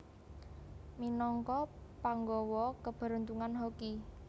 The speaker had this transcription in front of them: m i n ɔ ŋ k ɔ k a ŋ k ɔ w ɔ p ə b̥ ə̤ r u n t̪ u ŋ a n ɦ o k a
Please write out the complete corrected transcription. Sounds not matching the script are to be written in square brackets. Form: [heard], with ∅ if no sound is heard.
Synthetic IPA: m i n ɔ ŋ k ɔ [p] a ŋ [ɡ] ɔ w ɔ [k] ə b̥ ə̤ [ɾ] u n t̪ u ŋ a n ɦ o k [i]

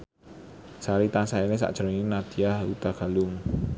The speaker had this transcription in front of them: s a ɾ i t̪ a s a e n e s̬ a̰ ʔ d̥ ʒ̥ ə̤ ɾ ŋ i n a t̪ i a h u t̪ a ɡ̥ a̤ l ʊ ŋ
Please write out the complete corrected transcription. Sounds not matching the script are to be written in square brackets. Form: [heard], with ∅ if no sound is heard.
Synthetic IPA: s a ɾ i t̪ a s a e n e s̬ a̰ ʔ d̥ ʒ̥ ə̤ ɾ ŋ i n a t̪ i a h u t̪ a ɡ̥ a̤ l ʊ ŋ

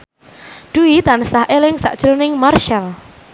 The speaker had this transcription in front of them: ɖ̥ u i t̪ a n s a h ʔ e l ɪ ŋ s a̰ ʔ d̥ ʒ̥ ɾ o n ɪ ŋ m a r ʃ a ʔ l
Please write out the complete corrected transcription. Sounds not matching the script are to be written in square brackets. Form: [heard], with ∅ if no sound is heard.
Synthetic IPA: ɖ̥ u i t̪ a n s a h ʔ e l ɪ ŋ s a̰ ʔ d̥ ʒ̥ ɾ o n ɪ ŋ m a r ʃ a [∅] l

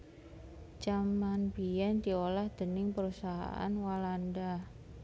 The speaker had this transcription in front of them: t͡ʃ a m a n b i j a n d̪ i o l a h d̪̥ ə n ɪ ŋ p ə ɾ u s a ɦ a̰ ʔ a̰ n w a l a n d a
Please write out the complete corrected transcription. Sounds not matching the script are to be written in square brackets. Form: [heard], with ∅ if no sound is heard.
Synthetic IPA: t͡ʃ a m a n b i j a n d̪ i o l a h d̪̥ ə n ɪ ŋ p ə ɾ u s a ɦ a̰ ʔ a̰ n w a l a n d a

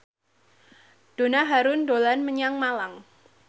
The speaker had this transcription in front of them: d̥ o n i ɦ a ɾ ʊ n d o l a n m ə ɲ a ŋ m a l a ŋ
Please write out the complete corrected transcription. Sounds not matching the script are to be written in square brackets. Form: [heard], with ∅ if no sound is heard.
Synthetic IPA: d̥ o n [a] ɦ a ɾ ʊ n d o l a n m ə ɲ a ŋ m a l a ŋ

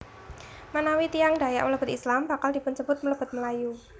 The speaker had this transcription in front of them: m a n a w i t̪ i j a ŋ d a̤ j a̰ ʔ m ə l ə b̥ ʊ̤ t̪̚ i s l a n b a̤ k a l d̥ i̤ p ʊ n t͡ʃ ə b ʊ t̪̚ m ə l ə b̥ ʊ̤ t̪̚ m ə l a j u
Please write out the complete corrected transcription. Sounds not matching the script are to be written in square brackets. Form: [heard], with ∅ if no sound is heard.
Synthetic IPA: m a n a w i t̪ i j a ŋ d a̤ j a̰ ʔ m ə l ə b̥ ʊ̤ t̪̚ i s l a [m] b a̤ k a l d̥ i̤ p ʊ n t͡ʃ ə b ʊ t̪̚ m ə l ə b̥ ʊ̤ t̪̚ m ə l a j u

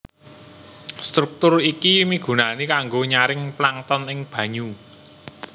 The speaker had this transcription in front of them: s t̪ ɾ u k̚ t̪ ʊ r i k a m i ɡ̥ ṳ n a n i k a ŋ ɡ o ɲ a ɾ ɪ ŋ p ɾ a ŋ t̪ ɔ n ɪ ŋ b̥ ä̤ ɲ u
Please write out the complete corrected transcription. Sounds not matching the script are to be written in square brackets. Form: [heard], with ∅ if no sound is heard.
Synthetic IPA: s t̪ ɾ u k̚ t̪ ʊ r i k [i] m i ɡ̥ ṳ n a n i k a ŋ ɡ o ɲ a ɾ ɪ ŋ p [l] a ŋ t̪ ɔ n ɪ ŋ b̥ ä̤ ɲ u

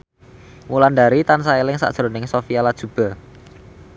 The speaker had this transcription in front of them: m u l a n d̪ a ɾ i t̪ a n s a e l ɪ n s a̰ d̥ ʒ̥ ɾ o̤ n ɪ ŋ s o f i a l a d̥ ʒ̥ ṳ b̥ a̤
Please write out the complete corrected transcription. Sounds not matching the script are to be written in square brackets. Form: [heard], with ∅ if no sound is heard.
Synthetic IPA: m u l a n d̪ a ɾ i t̪ a n s a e l ɪ [ŋ] s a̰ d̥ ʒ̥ ɾ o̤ n ɪ ŋ s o f i a l a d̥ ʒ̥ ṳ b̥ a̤

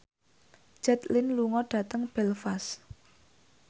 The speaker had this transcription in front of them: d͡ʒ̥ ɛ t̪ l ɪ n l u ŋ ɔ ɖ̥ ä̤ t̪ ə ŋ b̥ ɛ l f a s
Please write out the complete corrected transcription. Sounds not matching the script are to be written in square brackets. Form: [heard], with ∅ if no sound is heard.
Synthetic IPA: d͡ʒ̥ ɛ t̪ l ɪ n l u ŋ ɔ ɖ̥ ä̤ t̪ ə ŋ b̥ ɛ l f a s

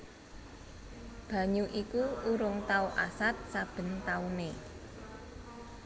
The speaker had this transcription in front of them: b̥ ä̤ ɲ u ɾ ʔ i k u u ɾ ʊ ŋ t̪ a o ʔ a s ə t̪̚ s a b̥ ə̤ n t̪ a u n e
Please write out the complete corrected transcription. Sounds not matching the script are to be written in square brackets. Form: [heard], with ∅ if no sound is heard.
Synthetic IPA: b̥ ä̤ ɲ u [∅] ʔ i k u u ɾ ʊ ŋ t̪ a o ʔ a s [a] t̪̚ s a b̥ ə̤ n t̪ a u n e

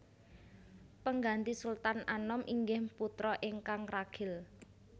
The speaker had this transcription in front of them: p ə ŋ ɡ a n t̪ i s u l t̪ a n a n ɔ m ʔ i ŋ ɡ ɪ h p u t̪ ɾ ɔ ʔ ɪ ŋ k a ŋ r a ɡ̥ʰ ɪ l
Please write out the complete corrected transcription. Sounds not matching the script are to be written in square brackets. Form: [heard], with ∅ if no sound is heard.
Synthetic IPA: p ə ŋ ɡ a n t̪ i s u l t̪ a n a n ɔ m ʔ i ŋ ɡ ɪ h p u t̪ ɾ ɔ ʔ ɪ ŋ k a ŋ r a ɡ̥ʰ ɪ l

